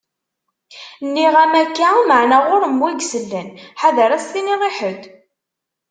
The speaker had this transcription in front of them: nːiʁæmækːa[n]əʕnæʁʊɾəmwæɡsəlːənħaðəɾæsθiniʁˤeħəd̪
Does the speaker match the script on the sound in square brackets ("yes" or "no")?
no